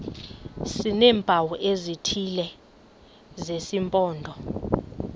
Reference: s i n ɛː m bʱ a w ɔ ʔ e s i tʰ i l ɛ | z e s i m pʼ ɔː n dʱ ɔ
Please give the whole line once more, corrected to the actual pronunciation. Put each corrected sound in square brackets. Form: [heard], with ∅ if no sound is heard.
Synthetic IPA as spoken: s i n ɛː m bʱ a w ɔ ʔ e [z] i tʰ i l ɛ | z e s i m pʼ ɔː n dʱ ɔ